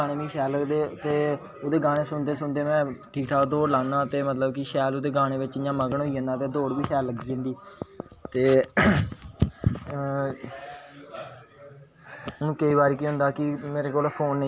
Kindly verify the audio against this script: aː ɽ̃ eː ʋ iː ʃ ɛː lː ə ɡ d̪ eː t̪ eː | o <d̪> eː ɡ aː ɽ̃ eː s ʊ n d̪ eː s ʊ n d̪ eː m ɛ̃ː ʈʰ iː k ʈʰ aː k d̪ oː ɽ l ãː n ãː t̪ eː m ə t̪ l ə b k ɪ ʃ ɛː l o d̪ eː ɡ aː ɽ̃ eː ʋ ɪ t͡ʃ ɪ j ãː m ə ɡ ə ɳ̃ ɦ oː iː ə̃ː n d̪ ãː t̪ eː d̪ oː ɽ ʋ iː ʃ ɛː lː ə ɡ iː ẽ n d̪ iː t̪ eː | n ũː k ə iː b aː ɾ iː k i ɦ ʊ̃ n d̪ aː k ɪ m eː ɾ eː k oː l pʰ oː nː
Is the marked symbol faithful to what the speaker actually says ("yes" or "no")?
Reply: yes